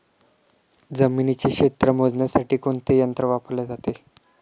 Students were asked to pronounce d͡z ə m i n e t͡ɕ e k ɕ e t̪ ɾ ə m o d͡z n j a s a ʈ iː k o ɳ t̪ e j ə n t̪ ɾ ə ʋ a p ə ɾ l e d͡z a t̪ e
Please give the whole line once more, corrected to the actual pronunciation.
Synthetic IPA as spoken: d͡z ə m i n i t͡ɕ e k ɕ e t̪ ɾ ə m o d͡z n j a s a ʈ iː k o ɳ t̪ e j ə n t̪ ɾ ə ʋ a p ə ɾ l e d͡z a t̪ e